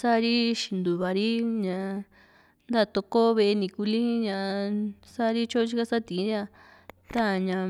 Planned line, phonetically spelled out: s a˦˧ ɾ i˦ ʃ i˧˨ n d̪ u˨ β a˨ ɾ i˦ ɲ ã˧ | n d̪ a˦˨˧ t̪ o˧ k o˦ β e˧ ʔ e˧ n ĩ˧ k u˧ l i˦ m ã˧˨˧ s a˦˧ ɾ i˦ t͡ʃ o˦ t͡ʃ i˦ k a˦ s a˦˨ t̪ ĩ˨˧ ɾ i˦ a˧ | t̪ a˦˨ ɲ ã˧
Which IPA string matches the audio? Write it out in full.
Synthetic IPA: s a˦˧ ɾ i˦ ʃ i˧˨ n d̪ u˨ β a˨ ɾ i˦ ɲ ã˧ | n d̪ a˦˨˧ t̪ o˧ k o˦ β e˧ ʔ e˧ n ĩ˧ k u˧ l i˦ ɲ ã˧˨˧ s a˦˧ ɾ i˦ t͡ʃ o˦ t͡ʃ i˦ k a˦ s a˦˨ t̪ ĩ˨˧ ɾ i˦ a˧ | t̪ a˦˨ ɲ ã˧

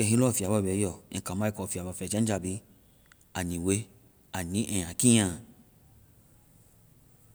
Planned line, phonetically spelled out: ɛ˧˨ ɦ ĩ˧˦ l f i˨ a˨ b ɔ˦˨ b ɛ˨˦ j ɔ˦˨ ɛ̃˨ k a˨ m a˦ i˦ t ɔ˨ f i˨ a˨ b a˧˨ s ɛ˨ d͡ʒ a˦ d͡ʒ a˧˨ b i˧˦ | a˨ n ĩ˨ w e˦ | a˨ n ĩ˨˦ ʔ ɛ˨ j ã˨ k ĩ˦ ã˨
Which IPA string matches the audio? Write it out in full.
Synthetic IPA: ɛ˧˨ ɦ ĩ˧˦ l f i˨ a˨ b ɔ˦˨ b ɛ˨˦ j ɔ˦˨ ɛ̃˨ k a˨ m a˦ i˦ k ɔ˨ f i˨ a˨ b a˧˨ f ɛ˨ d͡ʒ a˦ d͡ʒ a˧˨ b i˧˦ | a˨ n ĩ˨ w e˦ | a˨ n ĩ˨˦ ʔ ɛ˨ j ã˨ k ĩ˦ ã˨

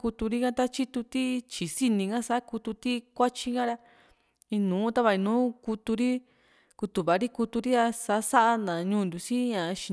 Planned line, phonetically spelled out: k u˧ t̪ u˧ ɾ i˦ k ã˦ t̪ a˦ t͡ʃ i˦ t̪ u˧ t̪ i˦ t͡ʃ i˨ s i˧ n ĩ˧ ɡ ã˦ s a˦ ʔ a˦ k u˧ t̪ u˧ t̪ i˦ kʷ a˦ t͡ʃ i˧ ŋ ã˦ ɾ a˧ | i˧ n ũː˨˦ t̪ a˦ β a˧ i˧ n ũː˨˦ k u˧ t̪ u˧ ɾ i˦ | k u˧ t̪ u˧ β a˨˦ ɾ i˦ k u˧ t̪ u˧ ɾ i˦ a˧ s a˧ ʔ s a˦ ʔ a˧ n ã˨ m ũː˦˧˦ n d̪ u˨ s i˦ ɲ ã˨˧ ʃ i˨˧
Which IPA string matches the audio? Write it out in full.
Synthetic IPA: k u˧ t̪ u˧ ɾ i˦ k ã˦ t̪ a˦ t͡ʃ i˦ t̪ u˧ t̪ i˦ t͡ʃ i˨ s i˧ n ĩ˧ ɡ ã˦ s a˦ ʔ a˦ k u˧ t̪ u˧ t̪ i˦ kʷ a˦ t͡ʃ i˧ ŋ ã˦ ɾ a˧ | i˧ n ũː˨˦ t̪ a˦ β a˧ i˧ n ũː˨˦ k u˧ t̪ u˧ ɾ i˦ | k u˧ t̪ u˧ β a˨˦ ɾ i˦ k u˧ t̪ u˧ ɾ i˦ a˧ s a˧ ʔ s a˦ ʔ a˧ n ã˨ ɲ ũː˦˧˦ n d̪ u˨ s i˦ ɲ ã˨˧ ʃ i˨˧

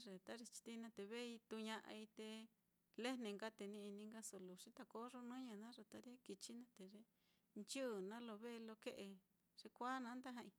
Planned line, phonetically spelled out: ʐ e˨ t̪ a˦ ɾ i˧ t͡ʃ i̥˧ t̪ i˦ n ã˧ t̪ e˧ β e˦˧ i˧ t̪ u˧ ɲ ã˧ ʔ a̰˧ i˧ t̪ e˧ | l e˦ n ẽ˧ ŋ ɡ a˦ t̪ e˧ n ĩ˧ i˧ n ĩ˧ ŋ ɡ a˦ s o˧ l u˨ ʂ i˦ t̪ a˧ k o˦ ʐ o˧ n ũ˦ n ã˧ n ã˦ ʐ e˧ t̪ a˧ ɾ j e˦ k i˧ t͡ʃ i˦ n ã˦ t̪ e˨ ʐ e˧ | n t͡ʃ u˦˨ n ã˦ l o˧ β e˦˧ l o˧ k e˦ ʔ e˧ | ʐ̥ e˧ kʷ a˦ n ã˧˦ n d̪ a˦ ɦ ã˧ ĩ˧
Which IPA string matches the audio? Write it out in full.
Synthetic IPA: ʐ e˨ t̪ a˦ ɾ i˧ t͡ʃ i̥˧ t̪ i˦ n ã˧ t̪ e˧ β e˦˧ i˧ t̪ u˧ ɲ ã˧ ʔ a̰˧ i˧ t̪ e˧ | l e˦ n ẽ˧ ŋ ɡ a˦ t̪ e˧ n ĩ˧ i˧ n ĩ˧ ŋ ɡ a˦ s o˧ l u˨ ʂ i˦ t̪ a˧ k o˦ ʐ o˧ n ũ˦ ɲ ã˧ n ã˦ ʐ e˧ t̪ a˧ ɾ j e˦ k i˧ t͡ʃ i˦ n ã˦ t̪ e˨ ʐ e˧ | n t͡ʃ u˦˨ n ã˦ l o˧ β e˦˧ l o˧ k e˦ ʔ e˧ | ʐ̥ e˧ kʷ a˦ n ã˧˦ n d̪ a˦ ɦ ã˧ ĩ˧

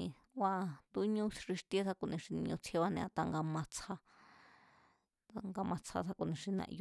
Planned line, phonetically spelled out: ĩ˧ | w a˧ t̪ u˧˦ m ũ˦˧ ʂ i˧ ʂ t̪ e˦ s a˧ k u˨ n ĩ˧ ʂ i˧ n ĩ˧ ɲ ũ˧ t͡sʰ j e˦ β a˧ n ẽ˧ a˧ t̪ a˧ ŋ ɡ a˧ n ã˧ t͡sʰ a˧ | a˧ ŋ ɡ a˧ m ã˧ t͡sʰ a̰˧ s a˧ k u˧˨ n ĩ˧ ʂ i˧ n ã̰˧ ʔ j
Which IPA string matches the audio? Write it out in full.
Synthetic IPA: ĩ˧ | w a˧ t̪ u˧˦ ɲ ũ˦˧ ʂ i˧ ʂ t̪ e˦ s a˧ k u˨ n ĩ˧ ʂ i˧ n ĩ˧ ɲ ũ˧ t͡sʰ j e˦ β a˧ n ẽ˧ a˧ t̪ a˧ ŋ ɡ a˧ m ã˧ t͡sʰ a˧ | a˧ ŋ ɡ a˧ m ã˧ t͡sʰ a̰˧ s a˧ k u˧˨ n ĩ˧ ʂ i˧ n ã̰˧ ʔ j

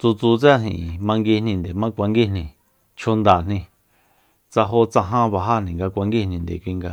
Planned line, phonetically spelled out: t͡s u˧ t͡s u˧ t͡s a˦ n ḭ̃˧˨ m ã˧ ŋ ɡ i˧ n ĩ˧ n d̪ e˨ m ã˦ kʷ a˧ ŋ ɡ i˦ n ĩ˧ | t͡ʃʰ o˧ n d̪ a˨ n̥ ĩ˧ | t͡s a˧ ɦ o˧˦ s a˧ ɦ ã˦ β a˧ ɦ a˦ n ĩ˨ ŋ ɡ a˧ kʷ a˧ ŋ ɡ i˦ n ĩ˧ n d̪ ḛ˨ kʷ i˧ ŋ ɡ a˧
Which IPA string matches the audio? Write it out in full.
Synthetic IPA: t͡s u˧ t͡s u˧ t͡s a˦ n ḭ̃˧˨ m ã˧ ŋ ɡ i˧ n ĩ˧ n d̪ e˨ m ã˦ kʷ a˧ ŋ ɡ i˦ n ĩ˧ | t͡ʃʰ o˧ n d̪ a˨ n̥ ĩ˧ | t͡s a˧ ɦ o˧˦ t͡s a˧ ɦ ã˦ β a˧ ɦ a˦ n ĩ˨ ŋ ɡ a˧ kʷ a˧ ŋ ɡ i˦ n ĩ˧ n d̪ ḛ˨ kʷ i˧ ŋ ɡ a˧

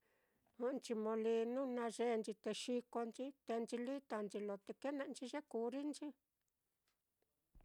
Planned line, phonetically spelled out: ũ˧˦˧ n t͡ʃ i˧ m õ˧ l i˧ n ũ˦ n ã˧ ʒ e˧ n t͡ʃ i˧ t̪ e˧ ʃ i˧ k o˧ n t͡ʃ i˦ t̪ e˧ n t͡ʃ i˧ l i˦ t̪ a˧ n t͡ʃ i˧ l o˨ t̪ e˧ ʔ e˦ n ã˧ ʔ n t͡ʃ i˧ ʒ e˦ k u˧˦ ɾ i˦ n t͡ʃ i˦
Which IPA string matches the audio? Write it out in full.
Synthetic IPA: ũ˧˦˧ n t͡ʃ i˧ m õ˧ l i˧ n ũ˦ n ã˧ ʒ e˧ n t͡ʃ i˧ t̪ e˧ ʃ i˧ k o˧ n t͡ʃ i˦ t̪ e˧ n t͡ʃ i˧ l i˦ t̪ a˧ n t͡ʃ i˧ l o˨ t̪ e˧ k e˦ n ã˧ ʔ n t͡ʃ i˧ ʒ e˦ k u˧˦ ɾ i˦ n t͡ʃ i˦

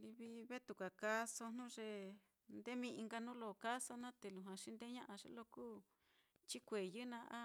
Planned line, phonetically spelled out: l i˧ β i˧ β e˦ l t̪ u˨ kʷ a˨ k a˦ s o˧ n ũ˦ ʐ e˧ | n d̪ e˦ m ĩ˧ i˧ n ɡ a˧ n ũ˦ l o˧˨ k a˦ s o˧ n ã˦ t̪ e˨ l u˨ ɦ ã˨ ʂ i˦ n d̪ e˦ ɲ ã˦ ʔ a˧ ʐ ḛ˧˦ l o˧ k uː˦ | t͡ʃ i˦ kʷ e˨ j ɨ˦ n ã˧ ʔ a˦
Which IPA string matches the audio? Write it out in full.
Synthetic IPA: l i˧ β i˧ β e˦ t̪ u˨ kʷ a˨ k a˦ s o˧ n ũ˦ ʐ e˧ | n d̪ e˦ m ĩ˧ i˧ ŋ ɡ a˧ n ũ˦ l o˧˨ k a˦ s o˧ n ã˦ t̪ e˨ l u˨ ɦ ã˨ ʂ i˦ n d̪ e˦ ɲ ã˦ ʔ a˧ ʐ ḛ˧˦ l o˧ k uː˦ | t͡ʃ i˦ kʷ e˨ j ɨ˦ n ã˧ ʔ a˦

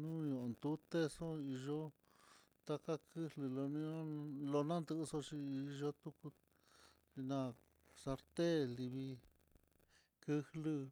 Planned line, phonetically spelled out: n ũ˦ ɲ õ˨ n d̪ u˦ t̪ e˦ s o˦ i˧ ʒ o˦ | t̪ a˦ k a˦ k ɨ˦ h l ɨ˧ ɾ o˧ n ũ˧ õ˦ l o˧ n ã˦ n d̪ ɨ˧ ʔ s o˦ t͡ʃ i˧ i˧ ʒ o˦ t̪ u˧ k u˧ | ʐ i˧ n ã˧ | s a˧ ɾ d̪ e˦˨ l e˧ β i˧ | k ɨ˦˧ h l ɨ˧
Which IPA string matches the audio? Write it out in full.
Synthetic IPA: n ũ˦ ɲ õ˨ n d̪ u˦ t̪ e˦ s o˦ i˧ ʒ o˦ | t̪ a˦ k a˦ k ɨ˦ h l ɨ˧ l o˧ n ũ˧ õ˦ l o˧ n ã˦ n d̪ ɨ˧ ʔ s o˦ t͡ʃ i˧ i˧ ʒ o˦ t̪ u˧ k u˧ | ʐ i˧ n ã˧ | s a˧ ɾ t̪ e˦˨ l i˧ β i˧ | k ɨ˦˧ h l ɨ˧

